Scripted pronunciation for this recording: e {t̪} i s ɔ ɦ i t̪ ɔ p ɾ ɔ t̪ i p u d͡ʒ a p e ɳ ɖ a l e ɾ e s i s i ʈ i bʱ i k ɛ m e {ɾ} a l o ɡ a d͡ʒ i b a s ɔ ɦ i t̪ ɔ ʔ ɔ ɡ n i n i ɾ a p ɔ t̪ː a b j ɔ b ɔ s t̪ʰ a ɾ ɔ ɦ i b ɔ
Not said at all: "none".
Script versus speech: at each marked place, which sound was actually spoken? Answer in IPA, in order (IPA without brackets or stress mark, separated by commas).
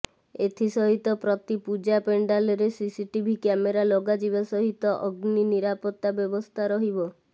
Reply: t̪ʰ, ɾ